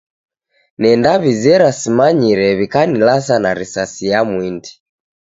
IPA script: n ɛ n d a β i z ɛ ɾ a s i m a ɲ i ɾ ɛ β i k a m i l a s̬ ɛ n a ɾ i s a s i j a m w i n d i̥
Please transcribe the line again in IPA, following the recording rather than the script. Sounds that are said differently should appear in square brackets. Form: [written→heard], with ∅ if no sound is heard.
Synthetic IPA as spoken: n ɛ n d a β i z ɛ ɾ a s i m a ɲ i ɾ ɛ β i k a [m→n] i l a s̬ [ɛ→a] n a ɾ i s a s i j a m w i n d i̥